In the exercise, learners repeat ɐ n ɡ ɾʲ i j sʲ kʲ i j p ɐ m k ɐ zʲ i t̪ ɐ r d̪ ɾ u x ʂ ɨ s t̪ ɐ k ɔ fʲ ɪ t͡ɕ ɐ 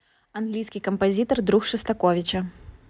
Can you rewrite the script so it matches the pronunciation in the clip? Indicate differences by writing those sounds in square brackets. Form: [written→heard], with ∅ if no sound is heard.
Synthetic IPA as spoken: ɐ n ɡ [ɾʲ→lʲ] i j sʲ kʲ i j [p→k] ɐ m [k→p] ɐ zʲ i t̪ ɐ r d̪ ɾ u x ʂ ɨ s t̪ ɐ k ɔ [fʲ→vʲ] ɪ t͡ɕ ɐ